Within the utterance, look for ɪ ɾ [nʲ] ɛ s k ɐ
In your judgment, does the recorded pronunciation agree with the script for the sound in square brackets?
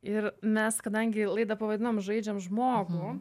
no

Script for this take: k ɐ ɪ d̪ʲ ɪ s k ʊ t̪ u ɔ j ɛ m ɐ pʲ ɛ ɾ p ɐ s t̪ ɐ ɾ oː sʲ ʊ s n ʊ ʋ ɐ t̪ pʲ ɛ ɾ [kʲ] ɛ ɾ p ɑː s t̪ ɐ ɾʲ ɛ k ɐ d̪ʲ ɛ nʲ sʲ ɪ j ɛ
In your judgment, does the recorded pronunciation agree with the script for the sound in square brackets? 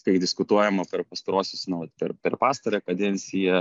no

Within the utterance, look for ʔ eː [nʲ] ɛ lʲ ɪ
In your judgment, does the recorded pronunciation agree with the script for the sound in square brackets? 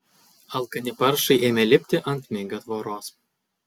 no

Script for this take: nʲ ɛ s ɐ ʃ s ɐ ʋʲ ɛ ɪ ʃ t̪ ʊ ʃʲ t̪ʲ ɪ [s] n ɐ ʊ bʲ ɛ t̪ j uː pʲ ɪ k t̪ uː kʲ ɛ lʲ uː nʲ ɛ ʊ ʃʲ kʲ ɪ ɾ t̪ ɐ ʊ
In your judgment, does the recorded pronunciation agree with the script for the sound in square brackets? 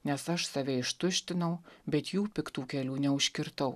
no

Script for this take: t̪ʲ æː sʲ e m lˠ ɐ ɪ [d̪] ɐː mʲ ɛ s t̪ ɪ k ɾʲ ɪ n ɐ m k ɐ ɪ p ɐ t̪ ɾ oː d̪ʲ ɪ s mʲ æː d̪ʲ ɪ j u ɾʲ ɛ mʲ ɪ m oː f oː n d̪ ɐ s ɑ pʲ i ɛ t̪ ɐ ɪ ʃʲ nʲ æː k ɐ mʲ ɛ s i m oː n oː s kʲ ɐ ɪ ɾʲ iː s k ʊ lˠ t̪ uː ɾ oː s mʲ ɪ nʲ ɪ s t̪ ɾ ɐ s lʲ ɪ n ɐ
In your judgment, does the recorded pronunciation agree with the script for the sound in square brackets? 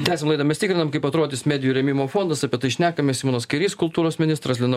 yes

